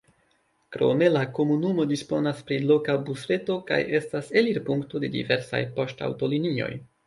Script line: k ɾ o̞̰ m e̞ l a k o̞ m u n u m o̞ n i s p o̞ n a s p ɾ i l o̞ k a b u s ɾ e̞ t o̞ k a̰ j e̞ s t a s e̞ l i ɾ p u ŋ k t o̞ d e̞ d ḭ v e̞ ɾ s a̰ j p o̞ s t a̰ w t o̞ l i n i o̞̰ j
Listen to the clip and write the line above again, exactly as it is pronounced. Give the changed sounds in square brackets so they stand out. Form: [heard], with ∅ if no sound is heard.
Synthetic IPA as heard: k ɾ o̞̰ m e̞ l a k o̞ m u n u m o̞ [d] i s p o̞ n a s p ɾ i l o̞ k a b u s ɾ e̞ t o̞ k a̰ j e̞ s t a s e̞ l i ɾ p u ŋ k t o̞ d e̞ d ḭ v e̞ ɾ s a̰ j p o̞ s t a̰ w t o̞ l i n i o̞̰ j